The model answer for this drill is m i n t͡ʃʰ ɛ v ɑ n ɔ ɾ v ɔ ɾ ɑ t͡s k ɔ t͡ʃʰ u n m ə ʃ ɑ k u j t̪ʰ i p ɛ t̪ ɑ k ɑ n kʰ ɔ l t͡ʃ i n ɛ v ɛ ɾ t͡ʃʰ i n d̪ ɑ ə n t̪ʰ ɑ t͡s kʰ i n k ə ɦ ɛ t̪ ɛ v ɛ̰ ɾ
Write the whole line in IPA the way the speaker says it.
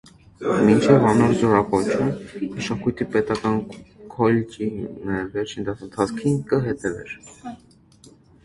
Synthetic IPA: m i n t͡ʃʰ ɛ v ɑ n ɔ ɾ z ɔ ɾ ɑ k ɔ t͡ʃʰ u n m ə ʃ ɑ k u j t̪ʰ i p ɛ t̪ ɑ k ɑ n kʰ ɔ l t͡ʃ i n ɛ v ɛ ɾ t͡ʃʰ i n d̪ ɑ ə n t̪ʰ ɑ t͡s kʰ i n k ə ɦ ɛ t̪ ɛ v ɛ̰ ɾ